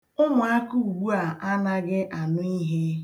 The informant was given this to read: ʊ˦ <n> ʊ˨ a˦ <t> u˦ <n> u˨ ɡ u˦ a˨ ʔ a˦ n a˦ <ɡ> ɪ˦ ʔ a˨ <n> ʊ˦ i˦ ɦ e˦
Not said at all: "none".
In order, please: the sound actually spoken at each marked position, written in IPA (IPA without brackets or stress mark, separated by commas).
m, k, none, ɡ, n